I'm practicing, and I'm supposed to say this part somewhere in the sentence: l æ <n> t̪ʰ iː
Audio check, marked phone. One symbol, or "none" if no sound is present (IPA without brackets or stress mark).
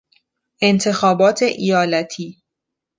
none